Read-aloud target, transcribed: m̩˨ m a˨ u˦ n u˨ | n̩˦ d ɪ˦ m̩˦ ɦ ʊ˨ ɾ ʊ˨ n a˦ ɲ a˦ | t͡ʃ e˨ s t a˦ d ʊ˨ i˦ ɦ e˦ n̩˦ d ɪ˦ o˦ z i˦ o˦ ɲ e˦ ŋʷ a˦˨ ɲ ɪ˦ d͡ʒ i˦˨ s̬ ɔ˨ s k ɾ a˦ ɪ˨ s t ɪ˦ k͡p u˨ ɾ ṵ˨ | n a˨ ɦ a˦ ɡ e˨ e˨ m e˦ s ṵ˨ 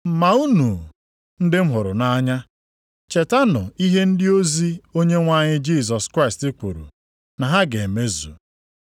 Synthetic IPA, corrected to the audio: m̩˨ m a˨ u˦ n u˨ | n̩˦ d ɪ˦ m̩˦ ɦ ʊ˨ ɾ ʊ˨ n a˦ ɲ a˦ | t͡ʃ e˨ t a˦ n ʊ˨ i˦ ɦ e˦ n̩˦ d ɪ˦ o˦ z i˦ o˦ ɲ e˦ ŋʷ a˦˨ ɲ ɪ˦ d͡ʒ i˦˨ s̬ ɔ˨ s k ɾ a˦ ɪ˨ s t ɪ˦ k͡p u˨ ɾ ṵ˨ | n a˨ ɦ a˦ ɡ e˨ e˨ m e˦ z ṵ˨